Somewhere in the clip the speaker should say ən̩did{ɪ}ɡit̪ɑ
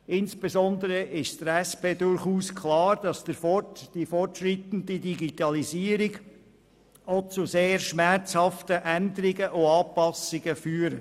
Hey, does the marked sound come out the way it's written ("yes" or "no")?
no